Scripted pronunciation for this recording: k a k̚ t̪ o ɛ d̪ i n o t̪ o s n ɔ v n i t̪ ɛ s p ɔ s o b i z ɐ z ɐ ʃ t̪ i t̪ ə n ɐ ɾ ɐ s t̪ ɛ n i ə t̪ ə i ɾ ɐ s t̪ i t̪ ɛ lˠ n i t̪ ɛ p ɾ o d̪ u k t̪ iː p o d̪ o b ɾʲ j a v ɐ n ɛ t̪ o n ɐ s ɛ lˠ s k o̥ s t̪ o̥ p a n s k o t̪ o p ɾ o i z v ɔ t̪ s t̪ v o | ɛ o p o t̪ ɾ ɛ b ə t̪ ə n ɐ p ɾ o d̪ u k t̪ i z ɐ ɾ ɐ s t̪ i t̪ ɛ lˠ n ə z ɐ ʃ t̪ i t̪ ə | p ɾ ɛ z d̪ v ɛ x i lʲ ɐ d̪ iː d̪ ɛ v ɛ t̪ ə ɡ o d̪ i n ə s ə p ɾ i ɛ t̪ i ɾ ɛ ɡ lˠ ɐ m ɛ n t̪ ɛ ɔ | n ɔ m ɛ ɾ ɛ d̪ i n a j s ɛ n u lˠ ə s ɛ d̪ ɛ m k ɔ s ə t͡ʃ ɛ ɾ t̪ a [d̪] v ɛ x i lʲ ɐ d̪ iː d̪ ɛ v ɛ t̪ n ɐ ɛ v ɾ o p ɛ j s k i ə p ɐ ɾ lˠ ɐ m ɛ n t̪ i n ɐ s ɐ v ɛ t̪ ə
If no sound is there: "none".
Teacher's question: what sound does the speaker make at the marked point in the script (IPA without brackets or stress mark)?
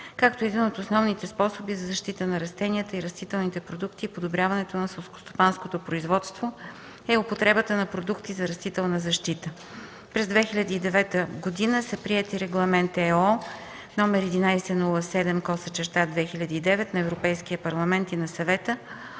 d̪